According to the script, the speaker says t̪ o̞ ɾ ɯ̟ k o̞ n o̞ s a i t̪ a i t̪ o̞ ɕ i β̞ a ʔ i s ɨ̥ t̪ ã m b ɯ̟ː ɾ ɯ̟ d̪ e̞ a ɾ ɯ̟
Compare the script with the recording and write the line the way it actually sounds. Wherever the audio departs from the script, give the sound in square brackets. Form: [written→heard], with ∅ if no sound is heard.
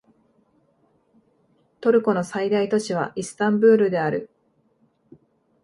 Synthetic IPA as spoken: t̪ o̞ ɾ ɯ̟ k o̞ n o̞ s a i [t̪→d̪] a i t̪ o̞ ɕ i β̞ a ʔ i s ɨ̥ t̪ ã m b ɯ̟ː ɾ ɯ̟ d̪ e̞ a ɾ ɯ̟

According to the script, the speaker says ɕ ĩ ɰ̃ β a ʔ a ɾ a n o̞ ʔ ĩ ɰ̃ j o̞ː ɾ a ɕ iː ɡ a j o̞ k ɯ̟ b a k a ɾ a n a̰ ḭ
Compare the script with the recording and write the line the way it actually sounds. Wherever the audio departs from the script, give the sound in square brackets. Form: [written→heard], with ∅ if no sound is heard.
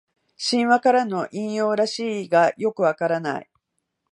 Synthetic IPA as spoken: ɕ ĩ ɰ̃ β a [ʔ→k] a ɾ a n o̞ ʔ ĩ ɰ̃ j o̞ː ɾ a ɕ iː ɡ a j o̞ k ɯ̟ [b→β] a k a ɾ a n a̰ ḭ

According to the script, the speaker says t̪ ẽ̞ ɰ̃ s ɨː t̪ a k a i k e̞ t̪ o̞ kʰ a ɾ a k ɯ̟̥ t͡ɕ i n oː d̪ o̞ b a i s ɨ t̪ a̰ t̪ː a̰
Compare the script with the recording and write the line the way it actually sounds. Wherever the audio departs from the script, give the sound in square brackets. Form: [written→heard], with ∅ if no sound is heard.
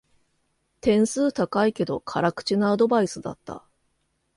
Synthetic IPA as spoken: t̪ ẽ̞ ɰ̃ s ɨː t̪ a k a i k e̞ [t̪→d̪] o̞ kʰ a ɾ a k ɯ̟̥ t͡ɕ i n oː d̪ o̞ b a i s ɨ [t̪→d̪] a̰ t̪ː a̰

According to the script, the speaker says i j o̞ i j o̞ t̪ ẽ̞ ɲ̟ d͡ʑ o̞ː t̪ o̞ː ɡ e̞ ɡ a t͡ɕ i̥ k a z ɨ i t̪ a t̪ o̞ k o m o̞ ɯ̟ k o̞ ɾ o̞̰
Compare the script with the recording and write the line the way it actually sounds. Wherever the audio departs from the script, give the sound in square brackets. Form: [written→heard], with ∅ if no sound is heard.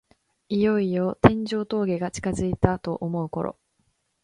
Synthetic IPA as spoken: i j o̞ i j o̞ t̪ ẽ̞ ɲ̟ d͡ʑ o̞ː t̪ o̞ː ɡ e̞ ɡ a t͡ɕ i̥ k a z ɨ i t̪ a t̪ o̞ [k→ʔ] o m o̞ ɯ̟ k o̞ ɾ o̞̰

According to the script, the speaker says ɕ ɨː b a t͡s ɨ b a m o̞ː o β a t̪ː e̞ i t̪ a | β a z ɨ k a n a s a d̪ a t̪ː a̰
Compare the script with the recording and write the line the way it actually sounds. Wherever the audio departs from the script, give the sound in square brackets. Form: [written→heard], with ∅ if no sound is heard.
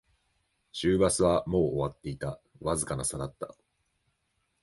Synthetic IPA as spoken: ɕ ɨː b a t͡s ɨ [b→β] a m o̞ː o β a t̪ː e̞ i t̪ a | β a z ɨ k a n a s a d̪ a t̪ː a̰

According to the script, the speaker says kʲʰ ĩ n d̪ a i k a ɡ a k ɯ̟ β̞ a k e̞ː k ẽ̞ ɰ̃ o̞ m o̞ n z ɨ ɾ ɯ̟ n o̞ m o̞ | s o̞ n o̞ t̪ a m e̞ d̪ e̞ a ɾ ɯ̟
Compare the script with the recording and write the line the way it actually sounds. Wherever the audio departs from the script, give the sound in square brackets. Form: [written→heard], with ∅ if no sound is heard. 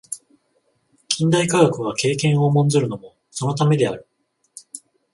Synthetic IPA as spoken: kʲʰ ĩ n d̪ a i k a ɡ a k ɯ̟ β̞ a k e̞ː k ẽ̞ ɰ̃ o̞ m [o̞→õ̞] n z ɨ ɾ ɯ̟ n o̞ m o̞ | s o̞ n o̞ t̪ a m e̞ d̪ e̞ a ɾ ɯ̟

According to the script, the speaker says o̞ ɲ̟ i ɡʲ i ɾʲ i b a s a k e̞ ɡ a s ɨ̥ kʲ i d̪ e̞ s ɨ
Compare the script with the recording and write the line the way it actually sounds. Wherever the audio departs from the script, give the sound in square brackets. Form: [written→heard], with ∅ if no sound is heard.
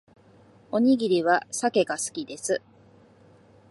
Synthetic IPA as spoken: o̞ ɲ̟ i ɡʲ i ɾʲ i [b→β] a s a k e̞ ɡ a s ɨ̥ kʲ i d̪ e̞ s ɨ

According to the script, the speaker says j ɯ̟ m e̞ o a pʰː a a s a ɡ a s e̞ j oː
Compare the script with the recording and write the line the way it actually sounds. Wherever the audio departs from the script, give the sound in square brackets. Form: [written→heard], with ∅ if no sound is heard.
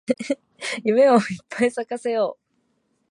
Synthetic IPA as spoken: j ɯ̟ m e̞ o [a→i] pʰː a [a→i] s a [ɡ→k] a s e̞ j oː

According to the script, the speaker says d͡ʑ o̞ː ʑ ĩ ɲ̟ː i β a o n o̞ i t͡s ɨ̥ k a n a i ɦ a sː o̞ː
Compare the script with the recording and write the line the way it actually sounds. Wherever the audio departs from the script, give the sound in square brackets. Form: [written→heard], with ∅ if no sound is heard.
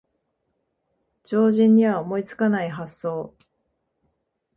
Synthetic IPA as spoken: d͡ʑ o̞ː ʑ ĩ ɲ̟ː i β a o [n→m] o̞ i t͡s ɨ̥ k a n a i ɦ a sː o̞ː

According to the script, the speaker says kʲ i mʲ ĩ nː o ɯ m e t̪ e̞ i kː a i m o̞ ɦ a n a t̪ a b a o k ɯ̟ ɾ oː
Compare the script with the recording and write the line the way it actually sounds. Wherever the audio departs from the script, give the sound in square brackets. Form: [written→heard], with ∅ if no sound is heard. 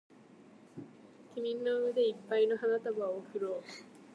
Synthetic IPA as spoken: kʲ i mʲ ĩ nː o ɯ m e [t̪→d̪] e̞ i [kː→pː] a i [m→n] o̞ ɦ a n a t̪ a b a o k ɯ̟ ɾ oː

